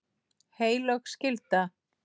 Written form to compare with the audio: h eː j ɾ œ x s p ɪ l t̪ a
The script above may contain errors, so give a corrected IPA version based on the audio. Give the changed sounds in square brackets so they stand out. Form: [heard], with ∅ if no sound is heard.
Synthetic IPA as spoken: h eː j [l] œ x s [c] ɪ l t̪ a